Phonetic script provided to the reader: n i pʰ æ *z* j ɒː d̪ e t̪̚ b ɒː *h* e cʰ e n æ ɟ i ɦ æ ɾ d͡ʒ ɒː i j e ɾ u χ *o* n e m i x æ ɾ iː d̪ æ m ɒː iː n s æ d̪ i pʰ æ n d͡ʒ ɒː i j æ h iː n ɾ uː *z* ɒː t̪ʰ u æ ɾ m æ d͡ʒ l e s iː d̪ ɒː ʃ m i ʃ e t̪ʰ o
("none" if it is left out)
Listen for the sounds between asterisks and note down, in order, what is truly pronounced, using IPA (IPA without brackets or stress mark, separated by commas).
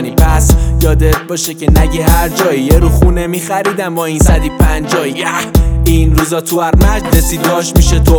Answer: s, ʃ, u, z